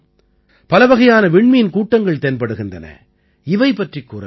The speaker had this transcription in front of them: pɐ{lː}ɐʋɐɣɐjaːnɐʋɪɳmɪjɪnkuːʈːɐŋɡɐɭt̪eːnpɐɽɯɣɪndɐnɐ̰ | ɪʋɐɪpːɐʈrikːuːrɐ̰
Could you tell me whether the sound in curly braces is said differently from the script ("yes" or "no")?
yes